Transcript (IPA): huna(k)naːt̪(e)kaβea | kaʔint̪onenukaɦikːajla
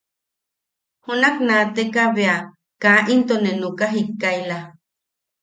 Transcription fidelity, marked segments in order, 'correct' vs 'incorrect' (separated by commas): correct, correct